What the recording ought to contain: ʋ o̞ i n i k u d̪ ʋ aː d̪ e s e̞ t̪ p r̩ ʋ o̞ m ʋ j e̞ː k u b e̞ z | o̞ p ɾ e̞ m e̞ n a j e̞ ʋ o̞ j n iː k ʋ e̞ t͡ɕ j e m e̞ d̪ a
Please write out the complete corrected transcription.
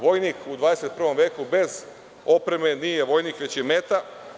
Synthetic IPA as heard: ʋ o̞ j n i k u d̪ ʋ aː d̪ e s e̞ t̪ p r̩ ʋ o̞ m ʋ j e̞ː k u b e̞ z | o̞ p ɾ e̞ m e̞ n i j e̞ ʋ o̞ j n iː k ʋ e̞ t͡ɕ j e m e̞ t̪ a